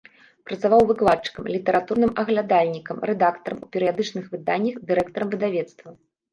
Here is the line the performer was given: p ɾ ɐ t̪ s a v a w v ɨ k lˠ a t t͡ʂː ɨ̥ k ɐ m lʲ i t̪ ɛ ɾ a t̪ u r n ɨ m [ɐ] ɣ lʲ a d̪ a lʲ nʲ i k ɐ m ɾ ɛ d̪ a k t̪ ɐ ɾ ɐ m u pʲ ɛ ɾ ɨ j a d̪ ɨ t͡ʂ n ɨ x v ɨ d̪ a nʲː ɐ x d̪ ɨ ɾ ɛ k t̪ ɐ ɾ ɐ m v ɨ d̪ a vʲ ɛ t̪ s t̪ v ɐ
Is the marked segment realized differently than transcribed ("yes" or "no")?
no